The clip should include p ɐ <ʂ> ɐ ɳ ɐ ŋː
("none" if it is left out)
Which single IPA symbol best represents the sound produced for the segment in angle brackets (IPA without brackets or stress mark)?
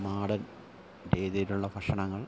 ʂ